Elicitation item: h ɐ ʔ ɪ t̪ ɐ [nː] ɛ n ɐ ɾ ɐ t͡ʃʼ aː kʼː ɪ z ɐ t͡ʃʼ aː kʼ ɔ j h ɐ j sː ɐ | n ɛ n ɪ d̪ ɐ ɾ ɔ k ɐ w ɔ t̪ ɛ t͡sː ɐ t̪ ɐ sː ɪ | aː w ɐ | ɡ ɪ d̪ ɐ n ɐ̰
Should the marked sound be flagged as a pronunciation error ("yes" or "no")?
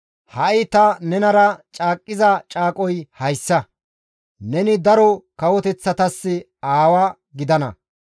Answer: yes